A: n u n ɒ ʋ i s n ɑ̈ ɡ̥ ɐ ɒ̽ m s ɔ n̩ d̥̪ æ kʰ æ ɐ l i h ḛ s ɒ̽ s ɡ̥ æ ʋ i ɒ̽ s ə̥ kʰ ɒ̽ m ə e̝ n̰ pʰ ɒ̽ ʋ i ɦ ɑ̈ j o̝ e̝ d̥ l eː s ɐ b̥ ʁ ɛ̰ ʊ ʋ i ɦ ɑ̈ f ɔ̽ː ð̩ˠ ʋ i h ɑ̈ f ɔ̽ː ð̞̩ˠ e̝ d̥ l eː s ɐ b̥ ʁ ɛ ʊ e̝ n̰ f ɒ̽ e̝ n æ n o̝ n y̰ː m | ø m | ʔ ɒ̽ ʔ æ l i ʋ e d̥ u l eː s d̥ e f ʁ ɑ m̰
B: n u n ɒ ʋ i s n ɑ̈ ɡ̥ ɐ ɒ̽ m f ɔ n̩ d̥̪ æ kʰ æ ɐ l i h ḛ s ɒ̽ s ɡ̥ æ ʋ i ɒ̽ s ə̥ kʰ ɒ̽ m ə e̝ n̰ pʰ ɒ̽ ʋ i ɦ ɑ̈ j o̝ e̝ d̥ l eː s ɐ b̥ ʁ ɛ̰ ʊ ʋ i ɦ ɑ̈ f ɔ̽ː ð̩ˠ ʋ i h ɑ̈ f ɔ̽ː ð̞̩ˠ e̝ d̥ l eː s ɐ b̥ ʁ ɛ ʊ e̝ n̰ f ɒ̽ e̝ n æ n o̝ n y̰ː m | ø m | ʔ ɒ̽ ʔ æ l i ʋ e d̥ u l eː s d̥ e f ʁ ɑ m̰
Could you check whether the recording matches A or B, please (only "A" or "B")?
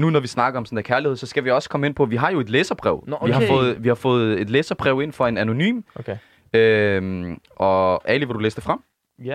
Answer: A